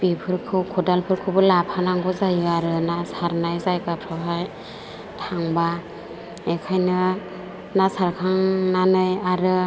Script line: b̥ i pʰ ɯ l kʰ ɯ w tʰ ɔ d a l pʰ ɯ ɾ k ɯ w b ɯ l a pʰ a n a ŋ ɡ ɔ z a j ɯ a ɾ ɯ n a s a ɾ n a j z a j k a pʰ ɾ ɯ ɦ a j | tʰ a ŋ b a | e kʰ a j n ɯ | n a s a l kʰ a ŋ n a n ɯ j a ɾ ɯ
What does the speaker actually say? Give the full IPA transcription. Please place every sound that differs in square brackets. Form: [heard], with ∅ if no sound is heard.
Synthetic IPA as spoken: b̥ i pʰ ɯ [ɾ] kʰ ɯ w [kʰ] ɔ d a l pʰ ɯ ɾ [kʰ] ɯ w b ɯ l a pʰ a n a ŋ ɡ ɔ z a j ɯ a ɾ ɯ n a s a ɾ n a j z a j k a pʰ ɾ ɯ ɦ a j | tʰ a ŋ b a | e kʰ a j n ɯ | n a s a [ɾ] kʰ a ŋ n a n ɯ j a ɾ ɯ